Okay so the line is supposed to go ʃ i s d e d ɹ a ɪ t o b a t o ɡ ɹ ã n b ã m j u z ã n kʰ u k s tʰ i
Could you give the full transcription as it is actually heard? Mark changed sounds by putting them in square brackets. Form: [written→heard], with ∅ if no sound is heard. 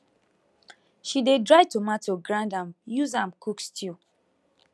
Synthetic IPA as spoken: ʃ i [s→∅] d e d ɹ a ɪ t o [b→m] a t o ɡ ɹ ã n [b→d] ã m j u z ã [n→m] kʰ u k s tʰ i